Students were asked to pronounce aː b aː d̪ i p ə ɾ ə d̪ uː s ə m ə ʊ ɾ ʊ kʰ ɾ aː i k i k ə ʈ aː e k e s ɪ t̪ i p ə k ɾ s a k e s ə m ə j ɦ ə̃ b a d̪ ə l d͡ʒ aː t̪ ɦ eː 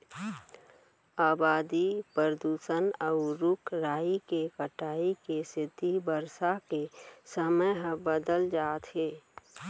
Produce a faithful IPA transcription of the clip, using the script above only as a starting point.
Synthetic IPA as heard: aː b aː d̪ i p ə ɾ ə d̪ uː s ə n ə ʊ ɾ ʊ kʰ ɾ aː i k e k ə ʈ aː i k e s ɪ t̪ i b ə ɾ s a k e s ə m ə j ɦ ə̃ b ə d̪ ə l d͡ʒ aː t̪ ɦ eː